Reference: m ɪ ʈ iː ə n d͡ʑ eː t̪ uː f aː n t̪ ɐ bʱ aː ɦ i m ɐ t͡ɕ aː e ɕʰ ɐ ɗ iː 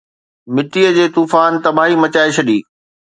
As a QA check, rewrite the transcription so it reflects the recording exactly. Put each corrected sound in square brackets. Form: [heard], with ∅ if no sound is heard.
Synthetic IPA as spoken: m ɪ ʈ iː ə [∅] d͡ʑ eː t̪ uː f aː n t̪ ɐ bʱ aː ɦ i m ɐ t͡ɕ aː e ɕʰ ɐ ɗ iː